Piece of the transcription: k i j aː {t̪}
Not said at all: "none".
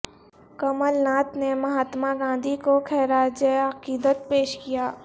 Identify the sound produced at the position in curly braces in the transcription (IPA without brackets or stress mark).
none